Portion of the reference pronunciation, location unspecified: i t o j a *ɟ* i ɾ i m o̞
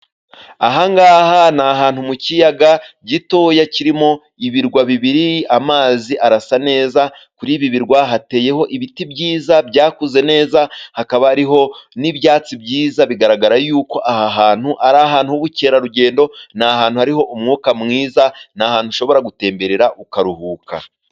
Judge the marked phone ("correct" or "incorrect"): incorrect